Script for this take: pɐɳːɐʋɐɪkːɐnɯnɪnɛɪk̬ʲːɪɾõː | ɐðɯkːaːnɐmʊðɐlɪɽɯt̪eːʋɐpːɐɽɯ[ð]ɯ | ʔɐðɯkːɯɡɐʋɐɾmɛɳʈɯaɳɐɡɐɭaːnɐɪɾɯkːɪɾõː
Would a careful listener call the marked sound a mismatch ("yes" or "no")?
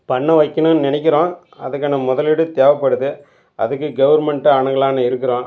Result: no